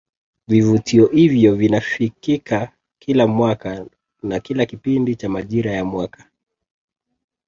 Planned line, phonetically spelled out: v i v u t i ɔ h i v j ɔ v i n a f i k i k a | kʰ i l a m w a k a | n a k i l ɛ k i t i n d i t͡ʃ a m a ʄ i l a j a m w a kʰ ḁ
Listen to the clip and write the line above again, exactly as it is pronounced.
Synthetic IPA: v i v u t i ɔ h i v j ɔ v i n a f i k i k a | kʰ i l a m w a k a | n a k i l a k i p i n d i t͡ʃ a m a ʄ i ɾ a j a m w a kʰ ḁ